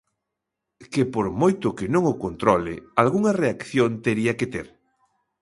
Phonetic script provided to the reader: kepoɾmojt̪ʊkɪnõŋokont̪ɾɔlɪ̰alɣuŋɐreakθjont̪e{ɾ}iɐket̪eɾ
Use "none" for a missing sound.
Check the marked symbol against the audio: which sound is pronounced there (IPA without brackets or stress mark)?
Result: ɾ